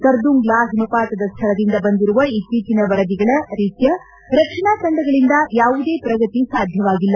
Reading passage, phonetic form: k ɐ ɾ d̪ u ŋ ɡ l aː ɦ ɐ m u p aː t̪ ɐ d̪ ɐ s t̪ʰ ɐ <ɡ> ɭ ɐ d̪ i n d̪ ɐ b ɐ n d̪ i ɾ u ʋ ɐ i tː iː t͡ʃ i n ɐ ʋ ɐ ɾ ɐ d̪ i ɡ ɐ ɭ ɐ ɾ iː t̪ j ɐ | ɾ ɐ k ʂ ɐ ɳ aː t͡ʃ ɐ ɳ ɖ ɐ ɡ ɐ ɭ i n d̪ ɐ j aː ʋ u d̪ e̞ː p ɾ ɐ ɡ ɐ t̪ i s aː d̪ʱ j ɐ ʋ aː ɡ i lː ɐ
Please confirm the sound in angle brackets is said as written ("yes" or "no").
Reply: no